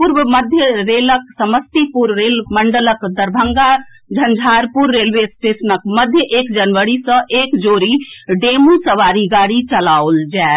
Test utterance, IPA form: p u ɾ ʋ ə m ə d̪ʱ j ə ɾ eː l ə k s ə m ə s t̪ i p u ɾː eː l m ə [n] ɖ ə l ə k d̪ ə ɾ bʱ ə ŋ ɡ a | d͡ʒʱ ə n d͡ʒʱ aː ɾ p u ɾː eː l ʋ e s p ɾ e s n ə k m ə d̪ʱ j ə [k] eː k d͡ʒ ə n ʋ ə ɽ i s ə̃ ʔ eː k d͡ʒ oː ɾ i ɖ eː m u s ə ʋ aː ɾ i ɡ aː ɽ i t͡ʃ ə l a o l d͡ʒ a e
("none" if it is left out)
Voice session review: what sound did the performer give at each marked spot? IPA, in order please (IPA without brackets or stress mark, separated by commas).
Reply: ɳ, ʔ